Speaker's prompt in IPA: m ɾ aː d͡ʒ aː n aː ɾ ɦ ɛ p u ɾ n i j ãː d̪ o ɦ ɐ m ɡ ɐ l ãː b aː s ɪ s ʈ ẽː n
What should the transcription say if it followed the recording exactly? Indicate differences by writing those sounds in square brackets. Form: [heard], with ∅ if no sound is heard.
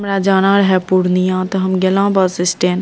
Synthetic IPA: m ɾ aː d͡ʒ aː n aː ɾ ɦ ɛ p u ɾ n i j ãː [t̪] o ɦ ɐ m ɡ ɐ l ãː b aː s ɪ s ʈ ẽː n